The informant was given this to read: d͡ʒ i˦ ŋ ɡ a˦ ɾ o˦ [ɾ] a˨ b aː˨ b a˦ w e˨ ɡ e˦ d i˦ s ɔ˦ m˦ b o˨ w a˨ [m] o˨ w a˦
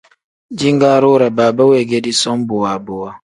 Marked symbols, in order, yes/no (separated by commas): yes, no